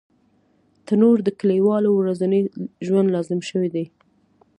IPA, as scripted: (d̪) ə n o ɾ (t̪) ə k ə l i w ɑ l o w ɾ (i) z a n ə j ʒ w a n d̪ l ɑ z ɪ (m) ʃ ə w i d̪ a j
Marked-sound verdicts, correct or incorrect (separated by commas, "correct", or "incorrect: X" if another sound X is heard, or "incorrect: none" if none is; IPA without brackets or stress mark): incorrect: t̪, incorrect: d̪, incorrect: a, correct